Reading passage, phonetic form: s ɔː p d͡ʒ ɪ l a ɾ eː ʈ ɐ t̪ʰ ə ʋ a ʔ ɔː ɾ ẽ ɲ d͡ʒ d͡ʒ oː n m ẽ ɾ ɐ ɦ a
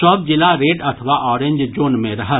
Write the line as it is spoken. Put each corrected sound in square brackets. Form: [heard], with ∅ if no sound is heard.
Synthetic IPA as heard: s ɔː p d͡ʒ ɪ l a ɾ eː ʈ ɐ t̪ʰ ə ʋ a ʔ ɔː ɾ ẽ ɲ d͡ʒ d͡ʒ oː n m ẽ ɾ ɐ ɦ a